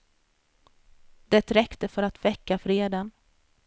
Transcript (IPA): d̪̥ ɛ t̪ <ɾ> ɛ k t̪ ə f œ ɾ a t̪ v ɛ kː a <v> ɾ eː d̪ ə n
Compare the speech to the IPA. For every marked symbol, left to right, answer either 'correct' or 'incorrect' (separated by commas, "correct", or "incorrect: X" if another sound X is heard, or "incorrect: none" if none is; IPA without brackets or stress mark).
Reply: correct, incorrect: f